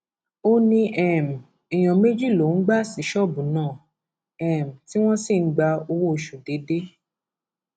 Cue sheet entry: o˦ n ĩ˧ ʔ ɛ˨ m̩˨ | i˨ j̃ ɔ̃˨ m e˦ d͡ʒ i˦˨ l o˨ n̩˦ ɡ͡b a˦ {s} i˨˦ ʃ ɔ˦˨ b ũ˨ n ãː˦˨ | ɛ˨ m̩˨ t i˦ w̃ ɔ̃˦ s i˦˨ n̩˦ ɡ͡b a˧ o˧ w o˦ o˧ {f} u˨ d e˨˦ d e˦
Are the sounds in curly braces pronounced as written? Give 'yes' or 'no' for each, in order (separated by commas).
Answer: yes, no